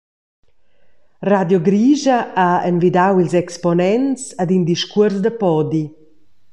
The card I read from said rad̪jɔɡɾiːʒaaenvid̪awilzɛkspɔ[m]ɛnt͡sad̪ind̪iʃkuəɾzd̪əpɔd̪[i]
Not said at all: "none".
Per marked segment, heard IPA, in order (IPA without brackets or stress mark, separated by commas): n, i